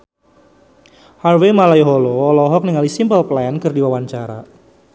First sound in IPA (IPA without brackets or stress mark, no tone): h